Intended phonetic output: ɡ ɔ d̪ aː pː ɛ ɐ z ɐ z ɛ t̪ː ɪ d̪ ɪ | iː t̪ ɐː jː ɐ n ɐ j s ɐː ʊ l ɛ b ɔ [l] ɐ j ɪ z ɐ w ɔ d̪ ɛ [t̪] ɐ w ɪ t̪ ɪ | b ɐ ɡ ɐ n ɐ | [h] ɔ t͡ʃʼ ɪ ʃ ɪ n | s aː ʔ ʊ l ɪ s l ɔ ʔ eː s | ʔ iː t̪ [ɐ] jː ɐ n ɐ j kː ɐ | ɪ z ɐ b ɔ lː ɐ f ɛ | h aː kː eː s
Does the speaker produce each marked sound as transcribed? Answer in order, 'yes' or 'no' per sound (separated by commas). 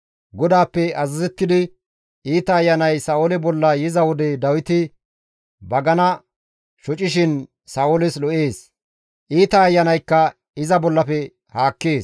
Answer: no, no, no, no